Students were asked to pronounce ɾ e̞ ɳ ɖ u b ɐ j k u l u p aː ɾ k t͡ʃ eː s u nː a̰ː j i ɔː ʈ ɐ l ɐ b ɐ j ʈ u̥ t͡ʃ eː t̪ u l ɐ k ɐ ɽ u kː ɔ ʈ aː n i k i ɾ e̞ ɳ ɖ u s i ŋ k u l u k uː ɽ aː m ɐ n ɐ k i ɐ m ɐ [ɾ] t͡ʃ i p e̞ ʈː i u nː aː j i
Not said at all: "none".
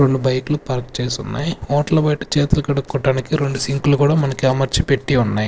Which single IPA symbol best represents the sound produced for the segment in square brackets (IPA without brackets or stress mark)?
ɾ